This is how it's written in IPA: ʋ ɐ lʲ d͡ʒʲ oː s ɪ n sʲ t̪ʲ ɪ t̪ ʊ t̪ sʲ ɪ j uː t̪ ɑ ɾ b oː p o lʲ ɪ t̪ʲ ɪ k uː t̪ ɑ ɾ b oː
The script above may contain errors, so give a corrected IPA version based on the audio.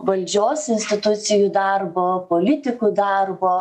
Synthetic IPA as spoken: ʋ ɐ lʲ d͡ʒʲ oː s ɪ n sʲ t̪ʲ ɪ t̪ ʊ t̪ sʲ ɪ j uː d̪ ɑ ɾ b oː p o lʲ ɪ t̪ʲ ɪ k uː d̪ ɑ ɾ b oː

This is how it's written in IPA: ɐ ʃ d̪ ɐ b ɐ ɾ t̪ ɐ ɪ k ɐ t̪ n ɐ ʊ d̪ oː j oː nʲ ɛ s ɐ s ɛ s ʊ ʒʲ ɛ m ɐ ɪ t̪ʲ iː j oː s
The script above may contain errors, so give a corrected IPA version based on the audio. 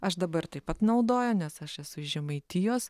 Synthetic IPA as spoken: ɐ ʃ d̪ ɐ b ɐ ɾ t̪ ɐ ɪ p ɐ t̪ n ɐ ʊ d̪ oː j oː nʲ ɛ s ɐ ʃ ɛ s ʊ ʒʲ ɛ m ɐ ɪ t̪ʲ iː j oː s

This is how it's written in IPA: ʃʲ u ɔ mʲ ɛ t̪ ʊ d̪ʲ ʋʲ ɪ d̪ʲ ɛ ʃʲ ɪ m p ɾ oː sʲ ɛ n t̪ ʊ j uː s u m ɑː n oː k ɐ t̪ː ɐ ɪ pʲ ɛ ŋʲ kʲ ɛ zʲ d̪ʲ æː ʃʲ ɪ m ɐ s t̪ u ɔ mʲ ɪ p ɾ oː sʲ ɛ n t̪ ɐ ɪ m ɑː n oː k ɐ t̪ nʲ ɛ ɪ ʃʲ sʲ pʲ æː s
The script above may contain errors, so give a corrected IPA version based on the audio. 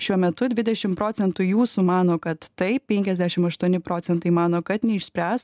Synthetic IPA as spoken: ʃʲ u ɔ mʲ ɛ t̪ ʊ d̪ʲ ʋʲ ɪ d̪ʲ ɛ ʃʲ ɪ m p ɾ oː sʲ ɛ n t̪ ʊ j uː s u m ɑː n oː k ɐ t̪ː ɐ ɪ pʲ ɛ ŋʲ kʲ ɛ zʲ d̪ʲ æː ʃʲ ɪ m ɐ ʃ t̪ u ɔ nʲ ɪ p ɾ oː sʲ ɛ n t̪ ɐ ɪ m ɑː n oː k ɐ t̪ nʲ ɛ ɪ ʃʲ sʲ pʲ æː s

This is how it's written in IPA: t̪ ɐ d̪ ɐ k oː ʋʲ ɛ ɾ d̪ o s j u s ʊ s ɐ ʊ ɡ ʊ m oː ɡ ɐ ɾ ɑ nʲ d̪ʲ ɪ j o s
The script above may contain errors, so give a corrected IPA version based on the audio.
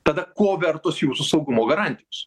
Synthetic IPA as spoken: t̪ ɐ d̪ ɐ k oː ʋʲ ɛ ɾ t̪ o s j uː s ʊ s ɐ ʊ ɡ ʊ m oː ɡ ɐ ɾ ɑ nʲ t̪ʲ ɪ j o s

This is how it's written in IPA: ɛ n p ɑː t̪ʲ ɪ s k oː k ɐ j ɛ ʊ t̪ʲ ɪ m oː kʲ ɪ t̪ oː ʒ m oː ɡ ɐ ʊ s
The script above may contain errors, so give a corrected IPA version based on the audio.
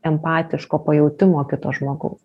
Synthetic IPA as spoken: ɛ m p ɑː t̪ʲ ɪ ʃ k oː p ɐ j ɛ ʊ t̪ʲ ɪ m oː kʲ ɪ t̪ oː ʒ m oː ɡ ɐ ʊ s

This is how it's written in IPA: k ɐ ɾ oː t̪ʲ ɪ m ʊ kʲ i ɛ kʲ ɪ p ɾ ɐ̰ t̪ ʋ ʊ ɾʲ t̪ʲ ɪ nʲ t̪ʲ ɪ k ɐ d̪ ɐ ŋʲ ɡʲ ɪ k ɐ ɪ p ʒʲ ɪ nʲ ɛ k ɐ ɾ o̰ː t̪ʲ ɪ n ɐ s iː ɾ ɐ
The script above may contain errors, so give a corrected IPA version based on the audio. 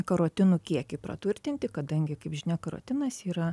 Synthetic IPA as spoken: k ɐ ɾ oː t̪ʲ ɪ n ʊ kʲ i ɛ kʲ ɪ p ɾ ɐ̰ t̪ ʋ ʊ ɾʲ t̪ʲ ɪ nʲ t̪ʲ ɪ k ɐ d̪ ɐ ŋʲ ɡʲ ɪ k ɐ ɪ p ʒʲ ɪ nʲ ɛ k ɐ ɾ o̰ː t̪ʲ ɪ n ɐ s iː ɾ ɐ

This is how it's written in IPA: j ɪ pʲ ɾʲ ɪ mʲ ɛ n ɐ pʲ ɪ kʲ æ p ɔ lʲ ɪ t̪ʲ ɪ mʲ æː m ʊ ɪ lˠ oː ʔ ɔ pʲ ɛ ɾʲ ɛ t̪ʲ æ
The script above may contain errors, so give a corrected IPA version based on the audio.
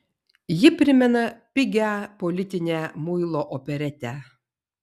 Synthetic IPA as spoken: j ɪ pʲ ɾʲ ɪ mʲ ɛ n ɐ pʲ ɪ ɡʲ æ p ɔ lʲ ɪ t̪ʲ ɪ nʲ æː m ʊ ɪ lˠ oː ʔ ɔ pʲ ɛ ɾʲ ɛ t̪ʲ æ

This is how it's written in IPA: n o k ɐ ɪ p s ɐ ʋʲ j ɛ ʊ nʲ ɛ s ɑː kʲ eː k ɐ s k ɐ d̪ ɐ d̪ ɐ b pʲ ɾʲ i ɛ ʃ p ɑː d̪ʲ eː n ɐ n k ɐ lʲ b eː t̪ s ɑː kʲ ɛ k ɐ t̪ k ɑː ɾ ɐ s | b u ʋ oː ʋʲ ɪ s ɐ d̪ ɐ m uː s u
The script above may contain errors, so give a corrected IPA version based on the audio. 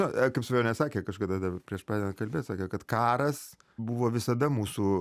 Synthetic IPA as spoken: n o k ɐ ɪ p s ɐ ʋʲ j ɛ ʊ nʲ ɛ s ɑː kʲ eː k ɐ ʃ k ɐ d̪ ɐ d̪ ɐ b pʲ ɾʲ i ɛ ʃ p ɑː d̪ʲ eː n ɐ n k ɐ lʲ b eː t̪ s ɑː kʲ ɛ k ɐ t̪ k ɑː ɾ ɐ s | b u ʋ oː ʋʲ ɪ s ɐ d̪ ɐ m uː s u

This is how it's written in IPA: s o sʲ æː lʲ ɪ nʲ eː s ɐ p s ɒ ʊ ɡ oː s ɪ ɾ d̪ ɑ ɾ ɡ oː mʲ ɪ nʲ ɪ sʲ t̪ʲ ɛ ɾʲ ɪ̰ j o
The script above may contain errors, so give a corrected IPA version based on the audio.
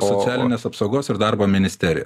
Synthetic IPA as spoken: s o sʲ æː lʲ ɪ nʲ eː s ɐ p s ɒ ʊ ɡ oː s ɪ ɾ d̪ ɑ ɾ b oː mʲ ɪ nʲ ɪ sʲ t̪ʲ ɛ ɾʲ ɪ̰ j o

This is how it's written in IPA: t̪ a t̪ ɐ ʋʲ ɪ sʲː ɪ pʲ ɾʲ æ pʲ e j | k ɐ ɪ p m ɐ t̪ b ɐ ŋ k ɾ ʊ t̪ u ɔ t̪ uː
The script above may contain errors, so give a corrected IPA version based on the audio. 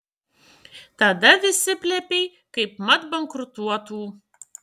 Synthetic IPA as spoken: t̪ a d̪ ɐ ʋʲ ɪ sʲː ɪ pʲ lʲ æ pʲ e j | k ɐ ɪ p m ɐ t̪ b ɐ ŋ k ɾ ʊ t̪ u ɔ t̪ uː

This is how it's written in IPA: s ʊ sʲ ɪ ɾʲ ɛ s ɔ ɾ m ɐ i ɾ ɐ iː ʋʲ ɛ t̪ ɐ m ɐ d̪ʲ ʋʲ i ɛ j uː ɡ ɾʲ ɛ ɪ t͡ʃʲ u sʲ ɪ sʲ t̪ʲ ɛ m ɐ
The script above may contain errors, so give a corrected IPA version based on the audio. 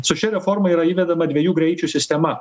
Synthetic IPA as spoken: s ʊ ʃʲ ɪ ɾʲ ɛ f ɔ ɾ m ɐ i ɾ ɐ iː ʋʲ ɛ d̪ ɐ m ɐ d̪ʲ ʋʲ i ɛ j uː ɡ ɾʲ ɛ ɪ t͡ʃʲ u sʲ ɪ sʲ t̪ʲ ɛ m ɐ

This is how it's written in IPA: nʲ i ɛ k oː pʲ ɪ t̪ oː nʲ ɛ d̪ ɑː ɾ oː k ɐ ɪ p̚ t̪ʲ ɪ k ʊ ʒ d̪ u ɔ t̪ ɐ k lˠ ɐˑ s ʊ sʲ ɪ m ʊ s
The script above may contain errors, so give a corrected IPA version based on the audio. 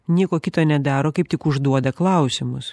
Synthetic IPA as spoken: nʲ i ɛ k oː kʲ ɪ t̪ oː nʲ ɛ d̪ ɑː ɾ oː k ɐ ɪ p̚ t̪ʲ ɪ k ʊ ʒ d̪ u ɔ d̪ ɐ k lˠ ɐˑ ʊ sʲ ɪ m ʊ s

